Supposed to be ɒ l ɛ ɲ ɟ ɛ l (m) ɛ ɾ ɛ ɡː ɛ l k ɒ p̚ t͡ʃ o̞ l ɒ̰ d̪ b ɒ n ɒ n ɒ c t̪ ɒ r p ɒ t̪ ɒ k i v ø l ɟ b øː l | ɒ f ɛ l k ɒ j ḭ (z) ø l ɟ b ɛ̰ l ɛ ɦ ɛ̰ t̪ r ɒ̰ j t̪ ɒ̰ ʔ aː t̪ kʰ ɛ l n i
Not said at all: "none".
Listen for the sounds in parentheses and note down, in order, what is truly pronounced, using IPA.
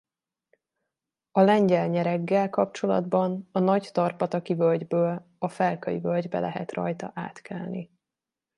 ɲ, v

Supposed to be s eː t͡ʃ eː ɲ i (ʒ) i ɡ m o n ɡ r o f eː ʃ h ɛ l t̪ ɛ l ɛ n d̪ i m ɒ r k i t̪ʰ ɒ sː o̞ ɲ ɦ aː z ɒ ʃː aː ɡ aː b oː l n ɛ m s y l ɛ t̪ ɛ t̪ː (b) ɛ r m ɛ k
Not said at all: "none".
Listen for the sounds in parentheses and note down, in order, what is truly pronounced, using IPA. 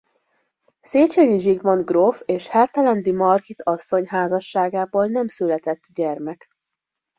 ʒ, ɟ

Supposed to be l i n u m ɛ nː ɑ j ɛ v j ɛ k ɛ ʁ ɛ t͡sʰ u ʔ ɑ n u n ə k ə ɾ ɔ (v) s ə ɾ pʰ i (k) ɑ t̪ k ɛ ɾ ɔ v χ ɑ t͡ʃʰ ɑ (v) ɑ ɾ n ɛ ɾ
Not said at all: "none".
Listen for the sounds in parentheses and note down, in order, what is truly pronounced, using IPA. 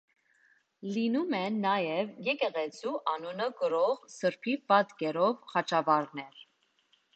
ʁ, p, v

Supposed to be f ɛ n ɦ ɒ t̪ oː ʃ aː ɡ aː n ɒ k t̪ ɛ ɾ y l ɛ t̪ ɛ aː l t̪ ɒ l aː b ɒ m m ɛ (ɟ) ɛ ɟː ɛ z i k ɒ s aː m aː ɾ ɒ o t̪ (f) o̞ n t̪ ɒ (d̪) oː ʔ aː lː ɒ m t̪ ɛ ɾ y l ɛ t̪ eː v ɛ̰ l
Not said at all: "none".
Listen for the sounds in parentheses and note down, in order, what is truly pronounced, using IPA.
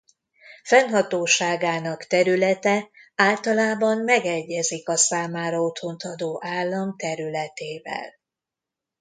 ɡ, h, d̪

